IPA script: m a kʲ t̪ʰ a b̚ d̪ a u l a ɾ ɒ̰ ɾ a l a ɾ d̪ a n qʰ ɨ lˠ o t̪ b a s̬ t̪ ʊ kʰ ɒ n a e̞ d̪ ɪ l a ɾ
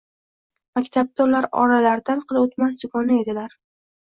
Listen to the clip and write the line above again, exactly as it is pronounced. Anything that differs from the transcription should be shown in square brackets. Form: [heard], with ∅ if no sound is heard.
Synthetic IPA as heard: m a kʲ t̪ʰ a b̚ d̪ a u l a ɾ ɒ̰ ɾ a l a ɾ d̪ a n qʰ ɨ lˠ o t̪ [m] a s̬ [d̪] ʊ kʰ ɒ n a e̞ d̪ ɪ l a ɾ